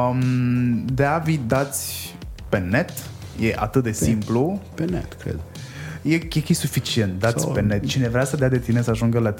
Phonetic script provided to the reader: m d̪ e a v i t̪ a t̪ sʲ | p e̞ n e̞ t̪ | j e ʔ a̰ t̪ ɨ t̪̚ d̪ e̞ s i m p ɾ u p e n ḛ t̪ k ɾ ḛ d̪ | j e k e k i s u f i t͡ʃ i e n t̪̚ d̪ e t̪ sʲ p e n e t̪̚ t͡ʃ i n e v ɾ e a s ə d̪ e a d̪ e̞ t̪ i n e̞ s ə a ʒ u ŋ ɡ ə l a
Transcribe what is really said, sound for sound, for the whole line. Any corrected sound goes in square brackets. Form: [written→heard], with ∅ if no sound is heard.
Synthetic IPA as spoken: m d̪ e a v i [t̪→d̪] a t̪ sʲ | p e̞ n e̞ t̪ | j e ʔ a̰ t̪ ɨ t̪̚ d̪ e̞ s i m p [ɾ→l] u p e n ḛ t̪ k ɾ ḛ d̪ | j e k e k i s u f i t͡ʃ i e n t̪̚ d̪ [e→a] t̪ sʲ p e n e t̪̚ t͡ʃ i n e v ɾ e a s ə d̪ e a d̪ e̞ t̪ i n e̞ s ə a ʒ u ŋ ɡ ə l a